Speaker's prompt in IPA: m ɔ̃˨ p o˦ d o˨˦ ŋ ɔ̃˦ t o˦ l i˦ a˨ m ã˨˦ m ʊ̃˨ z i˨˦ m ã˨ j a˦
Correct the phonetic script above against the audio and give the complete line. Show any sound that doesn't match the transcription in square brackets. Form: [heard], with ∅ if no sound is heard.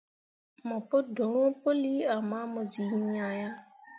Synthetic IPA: m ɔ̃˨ p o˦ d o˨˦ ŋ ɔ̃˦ [p] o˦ l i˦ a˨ m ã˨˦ m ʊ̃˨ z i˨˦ [ɲ] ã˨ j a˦